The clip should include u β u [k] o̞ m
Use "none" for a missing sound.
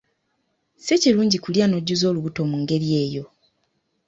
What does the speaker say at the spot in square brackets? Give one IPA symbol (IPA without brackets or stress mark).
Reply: t